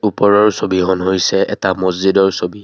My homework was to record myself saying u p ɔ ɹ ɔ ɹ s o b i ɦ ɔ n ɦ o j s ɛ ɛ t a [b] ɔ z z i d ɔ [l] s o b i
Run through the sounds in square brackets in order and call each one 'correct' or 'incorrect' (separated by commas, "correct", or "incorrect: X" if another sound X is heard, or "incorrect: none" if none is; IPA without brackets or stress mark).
incorrect: m, incorrect: ɹ